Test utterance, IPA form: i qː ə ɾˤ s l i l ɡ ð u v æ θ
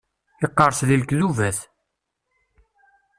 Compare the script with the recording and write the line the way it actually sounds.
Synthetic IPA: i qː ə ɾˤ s l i l k ð u v æ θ